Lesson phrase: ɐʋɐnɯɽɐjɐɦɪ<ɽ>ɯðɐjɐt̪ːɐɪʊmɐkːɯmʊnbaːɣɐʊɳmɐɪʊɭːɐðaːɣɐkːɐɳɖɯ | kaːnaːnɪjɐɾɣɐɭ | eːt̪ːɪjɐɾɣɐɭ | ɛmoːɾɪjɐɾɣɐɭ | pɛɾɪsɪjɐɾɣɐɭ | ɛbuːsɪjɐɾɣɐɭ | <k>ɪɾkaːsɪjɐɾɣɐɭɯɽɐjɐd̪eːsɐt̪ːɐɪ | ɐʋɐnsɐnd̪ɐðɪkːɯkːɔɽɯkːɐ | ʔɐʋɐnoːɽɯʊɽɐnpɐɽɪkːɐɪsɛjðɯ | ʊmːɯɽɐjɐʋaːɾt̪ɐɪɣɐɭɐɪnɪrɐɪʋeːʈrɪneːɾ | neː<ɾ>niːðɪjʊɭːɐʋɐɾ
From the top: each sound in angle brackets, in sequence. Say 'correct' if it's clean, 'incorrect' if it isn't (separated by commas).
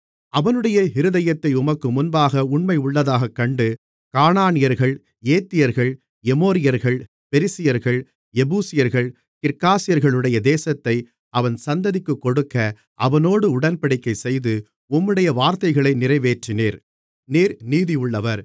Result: incorrect, correct, correct